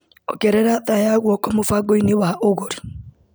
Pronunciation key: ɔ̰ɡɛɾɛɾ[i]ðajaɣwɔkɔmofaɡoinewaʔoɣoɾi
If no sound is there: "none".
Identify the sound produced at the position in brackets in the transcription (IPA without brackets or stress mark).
a